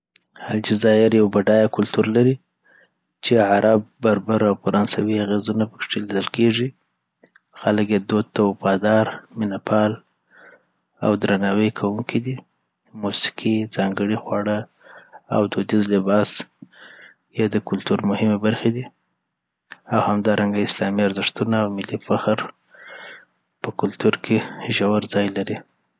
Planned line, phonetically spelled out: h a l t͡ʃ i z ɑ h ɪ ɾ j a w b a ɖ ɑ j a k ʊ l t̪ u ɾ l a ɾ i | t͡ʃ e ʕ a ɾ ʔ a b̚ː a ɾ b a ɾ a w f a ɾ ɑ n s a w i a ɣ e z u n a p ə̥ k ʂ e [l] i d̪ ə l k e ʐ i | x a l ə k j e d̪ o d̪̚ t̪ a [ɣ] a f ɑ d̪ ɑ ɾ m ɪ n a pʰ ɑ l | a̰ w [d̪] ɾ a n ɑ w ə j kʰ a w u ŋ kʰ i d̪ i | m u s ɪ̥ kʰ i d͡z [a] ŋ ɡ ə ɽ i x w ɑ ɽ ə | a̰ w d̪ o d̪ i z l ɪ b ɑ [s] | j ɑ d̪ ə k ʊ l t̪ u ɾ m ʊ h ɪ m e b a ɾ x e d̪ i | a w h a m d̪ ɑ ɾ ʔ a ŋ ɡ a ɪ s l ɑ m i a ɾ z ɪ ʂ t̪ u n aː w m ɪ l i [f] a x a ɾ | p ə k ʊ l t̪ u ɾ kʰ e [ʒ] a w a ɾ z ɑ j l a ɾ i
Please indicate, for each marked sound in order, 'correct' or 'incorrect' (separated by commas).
correct, incorrect, correct, incorrect, correct, correct, correct